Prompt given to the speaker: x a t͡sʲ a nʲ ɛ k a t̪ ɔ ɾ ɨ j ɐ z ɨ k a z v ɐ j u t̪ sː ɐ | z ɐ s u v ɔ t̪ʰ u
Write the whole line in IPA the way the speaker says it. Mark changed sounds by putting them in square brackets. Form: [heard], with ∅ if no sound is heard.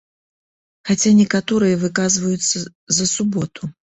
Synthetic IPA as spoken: x a t͡sʲ a nʲ ɛ k a t̪ ɔ ɾ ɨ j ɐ [v] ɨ k a z v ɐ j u t̪ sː ɐ | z ɐ s u [b] ɔ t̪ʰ u

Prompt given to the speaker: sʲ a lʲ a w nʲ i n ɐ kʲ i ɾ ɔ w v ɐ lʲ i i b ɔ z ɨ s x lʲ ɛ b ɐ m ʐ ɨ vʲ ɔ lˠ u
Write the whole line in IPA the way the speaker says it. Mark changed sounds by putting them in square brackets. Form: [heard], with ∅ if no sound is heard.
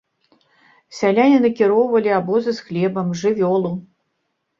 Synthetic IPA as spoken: sʲ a lʲ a [∅] nʲ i n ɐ kʲ i ɾ ɔ w v ɐ lʲ i [a] b ɔ z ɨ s x lʲ ɛ b ɐ m ʐ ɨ vʲ ɔ lˠ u

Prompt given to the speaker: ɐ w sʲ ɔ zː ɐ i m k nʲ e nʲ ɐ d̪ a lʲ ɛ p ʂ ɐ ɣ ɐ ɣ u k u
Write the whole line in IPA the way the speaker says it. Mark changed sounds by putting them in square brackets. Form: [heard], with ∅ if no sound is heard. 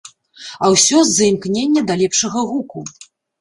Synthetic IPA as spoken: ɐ w sʲ ɔ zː ɐ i m k nʲ e [nʲː] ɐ d̪ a lʲ ɛ p ʂ ɐ ɣ ɐ ɣ u k u

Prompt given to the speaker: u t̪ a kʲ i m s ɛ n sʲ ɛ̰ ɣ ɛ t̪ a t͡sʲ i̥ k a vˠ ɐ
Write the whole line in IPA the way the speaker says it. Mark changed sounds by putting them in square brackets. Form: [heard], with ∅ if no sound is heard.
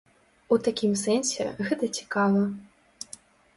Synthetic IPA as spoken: u t̪ a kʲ i m s ɛ n sʲ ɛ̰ ɣ ɛ t̪ [ɐ] t͡sʲ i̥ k a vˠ ɐ

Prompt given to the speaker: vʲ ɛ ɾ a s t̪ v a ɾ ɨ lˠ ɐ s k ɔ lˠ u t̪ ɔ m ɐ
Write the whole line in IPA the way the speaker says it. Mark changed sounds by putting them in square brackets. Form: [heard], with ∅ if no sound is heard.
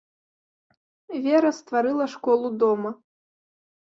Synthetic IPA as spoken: vʲ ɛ ɾ [ɐ] s t̪ v a ɾ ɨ lˠ ɐ [ʂ] k ɔ lˠ u [d̪] ɔ m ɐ

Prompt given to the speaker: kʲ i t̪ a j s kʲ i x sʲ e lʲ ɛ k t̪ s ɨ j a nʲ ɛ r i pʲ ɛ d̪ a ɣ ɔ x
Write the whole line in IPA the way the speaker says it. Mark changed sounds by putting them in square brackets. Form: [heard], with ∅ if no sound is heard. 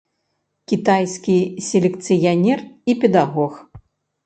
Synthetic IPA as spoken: kʲ i t̪ a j s kʲ i [∅] sʲ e lʲ ɛ k t̪ s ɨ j a nʲ ɛ r i pʲ ɛ d̪ a ɣ ɔ x

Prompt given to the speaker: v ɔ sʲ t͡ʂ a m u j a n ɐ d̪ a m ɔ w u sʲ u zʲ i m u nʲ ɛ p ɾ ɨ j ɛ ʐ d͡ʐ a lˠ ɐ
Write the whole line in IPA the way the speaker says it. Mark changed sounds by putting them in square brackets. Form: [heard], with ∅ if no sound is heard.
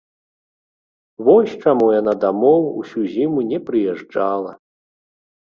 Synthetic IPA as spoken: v ɔ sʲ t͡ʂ a m u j a n [a] d̪ a m ɔ w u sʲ u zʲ i m u nʲ ɛ p ɾ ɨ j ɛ ʐ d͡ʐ a lˠ ɐ

